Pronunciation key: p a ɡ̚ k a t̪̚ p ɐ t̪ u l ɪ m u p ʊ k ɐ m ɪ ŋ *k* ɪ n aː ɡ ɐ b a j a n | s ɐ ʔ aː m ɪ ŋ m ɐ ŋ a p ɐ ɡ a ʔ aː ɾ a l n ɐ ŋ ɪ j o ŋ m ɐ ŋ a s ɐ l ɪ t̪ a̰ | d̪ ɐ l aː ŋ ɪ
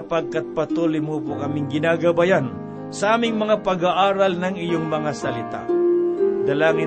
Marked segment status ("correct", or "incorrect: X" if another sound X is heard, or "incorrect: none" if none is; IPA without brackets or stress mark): incorrect: ɡ